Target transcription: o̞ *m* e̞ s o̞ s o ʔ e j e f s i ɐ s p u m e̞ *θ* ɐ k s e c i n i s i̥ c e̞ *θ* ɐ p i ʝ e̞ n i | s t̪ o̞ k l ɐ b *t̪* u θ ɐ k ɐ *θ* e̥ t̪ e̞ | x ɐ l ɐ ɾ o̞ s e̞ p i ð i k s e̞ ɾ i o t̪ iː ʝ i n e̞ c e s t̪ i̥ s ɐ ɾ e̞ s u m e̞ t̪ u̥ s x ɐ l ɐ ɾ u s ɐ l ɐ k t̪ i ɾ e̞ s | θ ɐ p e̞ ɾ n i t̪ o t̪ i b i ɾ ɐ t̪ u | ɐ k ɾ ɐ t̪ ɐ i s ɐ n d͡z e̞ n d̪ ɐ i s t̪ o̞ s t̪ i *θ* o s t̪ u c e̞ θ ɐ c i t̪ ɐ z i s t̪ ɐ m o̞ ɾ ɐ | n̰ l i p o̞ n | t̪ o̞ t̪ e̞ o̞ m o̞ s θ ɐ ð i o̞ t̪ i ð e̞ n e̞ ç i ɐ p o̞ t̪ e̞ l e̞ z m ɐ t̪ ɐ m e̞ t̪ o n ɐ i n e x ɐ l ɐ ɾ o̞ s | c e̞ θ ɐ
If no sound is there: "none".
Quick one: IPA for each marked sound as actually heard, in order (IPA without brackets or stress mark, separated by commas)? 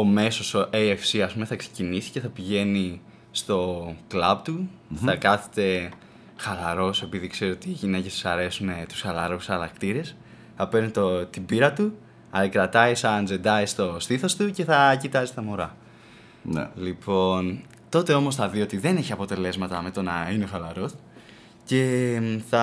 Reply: m, θ, θ, t̪, θ, θ